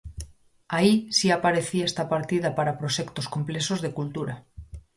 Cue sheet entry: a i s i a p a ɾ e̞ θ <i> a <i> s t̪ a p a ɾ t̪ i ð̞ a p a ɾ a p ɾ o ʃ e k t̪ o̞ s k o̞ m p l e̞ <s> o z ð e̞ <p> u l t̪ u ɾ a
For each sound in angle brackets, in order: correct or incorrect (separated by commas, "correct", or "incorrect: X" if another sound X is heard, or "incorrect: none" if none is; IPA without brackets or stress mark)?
correct, incorrect: e, correct, incorrect: k